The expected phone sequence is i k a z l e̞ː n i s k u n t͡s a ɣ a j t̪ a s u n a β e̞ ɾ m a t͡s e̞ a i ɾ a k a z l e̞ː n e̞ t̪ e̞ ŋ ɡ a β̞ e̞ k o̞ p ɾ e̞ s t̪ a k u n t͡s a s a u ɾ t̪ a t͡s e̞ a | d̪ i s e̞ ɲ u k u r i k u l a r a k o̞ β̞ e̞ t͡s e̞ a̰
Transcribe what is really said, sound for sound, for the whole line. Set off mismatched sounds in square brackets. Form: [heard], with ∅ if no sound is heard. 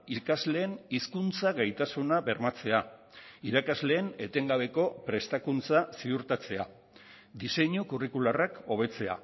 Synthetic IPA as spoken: i k a z l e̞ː n i s k u n t͡s a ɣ a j t̪ a s u n a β e̞ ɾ m a t͡s e̞ a i ɾ a k a z l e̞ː n e̞ t̪ e̞ ŋ ɡ a β̞ e̞ k o̞ p ɾ e̞ s t̪ a k u n t͡s a s [i] u ɾ t̪ a t͡s e̞ a | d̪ i s e̞ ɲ u k u r i k u l a r a k o̞ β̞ e̞ t͡s e̞ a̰